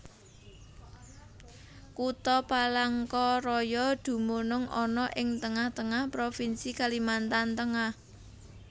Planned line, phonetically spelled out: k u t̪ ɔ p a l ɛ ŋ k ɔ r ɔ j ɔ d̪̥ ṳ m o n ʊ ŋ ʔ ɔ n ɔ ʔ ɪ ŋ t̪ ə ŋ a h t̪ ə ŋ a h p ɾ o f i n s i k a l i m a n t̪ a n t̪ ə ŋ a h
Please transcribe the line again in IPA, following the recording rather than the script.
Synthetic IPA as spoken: k u t̪ ɔ p a l a ŋ k ɔ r ɔ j ɔ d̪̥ ṳ m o n ʊ ŋ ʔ ɔ n ɔ ʔ ɪ ŋ t̪ ə ŋ a h t̪ ə ŋ a h p ɾ o f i n s i k a l i m a n t̪ a n t̪ ə ŋ a h

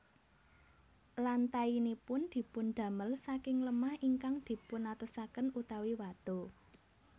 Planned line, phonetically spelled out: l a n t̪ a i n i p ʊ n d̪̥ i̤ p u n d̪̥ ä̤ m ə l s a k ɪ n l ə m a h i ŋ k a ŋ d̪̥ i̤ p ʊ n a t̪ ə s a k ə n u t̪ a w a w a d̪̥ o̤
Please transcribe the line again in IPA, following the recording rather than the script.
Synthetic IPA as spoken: l a n t̪ a i n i p ʊ n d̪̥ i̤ p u n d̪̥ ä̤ m ə l s a k ɪ ŋ l ə m a h i ŋ k a ŋ d̪̥ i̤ p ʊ n a t̪ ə s a k ə n u t̪ a w i w a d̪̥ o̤

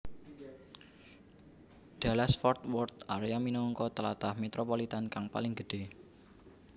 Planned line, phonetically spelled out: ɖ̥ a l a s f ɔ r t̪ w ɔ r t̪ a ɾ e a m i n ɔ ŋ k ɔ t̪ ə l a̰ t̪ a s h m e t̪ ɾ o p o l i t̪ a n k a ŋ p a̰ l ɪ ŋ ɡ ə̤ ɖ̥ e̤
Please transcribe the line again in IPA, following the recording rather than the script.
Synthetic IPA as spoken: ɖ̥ a l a s f ɔ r t̪ w ɔ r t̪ a ɾ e a m i n ɔ ŋ k ɔ t̪ ə l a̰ t̪ a h m e t̪ ɾ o p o l i t̪ a n k a ŋ p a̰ l ɪ ŋ ɡ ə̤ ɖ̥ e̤

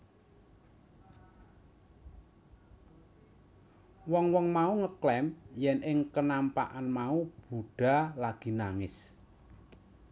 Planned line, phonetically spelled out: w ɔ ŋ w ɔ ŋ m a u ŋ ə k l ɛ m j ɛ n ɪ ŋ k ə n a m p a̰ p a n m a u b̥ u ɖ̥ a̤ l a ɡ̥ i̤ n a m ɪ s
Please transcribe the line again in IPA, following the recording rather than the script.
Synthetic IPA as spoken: w ɔ ŋ w ɔ ŋ m a u ŋ ə k l ɛ m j ɛ n ɪ ŋ k ə n a m p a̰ ʔ a n m a u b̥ u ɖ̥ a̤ l a ɡ̥ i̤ n a ŋ ɪ s

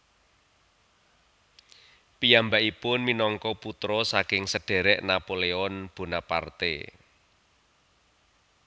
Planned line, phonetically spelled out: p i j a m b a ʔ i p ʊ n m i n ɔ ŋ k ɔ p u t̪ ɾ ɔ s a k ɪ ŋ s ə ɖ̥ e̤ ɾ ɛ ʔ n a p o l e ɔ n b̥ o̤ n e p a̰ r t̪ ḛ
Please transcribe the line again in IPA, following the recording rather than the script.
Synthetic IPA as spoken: p i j a m b a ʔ i p ʊ n m i n ɔ ŋ k ɔ p u t̪ ɾ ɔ s a k ɪ ŋ s ə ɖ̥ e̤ ɾ ɛ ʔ n a p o l e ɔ n b̥ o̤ n a p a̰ r t̪ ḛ

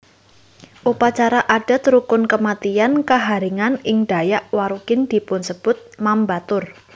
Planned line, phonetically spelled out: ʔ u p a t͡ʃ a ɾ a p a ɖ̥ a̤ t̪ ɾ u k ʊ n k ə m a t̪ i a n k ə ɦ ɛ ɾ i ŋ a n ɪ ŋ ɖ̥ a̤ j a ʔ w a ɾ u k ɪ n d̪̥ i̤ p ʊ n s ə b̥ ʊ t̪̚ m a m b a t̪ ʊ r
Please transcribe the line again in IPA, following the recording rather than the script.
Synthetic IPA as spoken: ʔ u p a t͡ʃ a ɾ a ʔ a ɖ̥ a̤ t̪ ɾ u k ʊ n k ə m a t̪ i a n k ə ɦ a ɾ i ŋ a n ɪ ŋ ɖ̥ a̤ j a ʔ w a ɾ u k ɪ n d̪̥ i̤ p ʊ n s ə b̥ ʊ t̪̚ m a m b a t̪ ʊ r

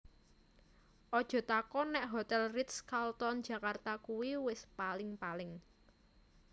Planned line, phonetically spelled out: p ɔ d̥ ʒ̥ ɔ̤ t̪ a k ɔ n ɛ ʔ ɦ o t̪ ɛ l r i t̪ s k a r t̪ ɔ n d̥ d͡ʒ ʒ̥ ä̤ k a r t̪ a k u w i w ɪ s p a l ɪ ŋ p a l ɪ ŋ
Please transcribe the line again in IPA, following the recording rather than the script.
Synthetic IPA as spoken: ʔ ɔ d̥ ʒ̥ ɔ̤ t̪ a k ɔ n ɛ ʔ ɦ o t̪ ɛ l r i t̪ s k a l t̪ ɔ n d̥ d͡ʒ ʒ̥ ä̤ k a r t̪ a k u w i w ɪ s p a l ɪ ŋ p a l ɪ ŋ

